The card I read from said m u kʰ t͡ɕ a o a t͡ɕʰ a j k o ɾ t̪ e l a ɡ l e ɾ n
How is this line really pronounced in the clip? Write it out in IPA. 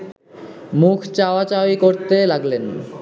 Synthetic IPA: m u kʰ t͡ɕ a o a t͡ɕ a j k o ɾ t̪ e l a ɡ l e n